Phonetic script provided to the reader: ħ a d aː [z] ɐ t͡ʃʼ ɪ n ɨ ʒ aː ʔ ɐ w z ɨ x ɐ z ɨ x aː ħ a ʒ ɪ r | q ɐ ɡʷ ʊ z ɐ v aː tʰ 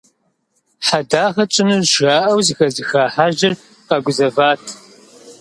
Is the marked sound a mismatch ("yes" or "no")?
yes